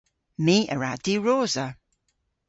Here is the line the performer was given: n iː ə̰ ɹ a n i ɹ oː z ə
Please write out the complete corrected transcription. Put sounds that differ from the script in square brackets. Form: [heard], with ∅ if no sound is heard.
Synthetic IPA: [m] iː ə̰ ɹ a [d] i ɹ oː z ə